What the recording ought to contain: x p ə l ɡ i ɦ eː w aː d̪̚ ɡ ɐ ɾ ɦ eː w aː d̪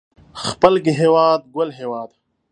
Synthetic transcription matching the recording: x p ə l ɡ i ɦ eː w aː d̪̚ ɡ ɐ l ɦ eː w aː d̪